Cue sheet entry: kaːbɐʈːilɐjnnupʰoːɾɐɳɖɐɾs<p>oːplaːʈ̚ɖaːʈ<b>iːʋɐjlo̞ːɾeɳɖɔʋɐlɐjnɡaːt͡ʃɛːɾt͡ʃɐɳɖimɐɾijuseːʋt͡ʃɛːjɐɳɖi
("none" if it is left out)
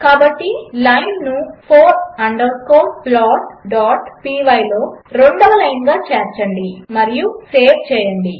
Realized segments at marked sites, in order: k, p

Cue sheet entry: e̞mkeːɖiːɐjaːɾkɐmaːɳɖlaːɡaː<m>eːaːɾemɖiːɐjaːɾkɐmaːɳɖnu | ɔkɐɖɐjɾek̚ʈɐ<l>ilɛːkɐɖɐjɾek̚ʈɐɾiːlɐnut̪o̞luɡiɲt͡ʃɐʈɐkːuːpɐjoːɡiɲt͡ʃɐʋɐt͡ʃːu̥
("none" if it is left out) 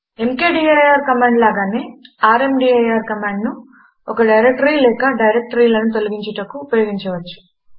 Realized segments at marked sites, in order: n, ɾ

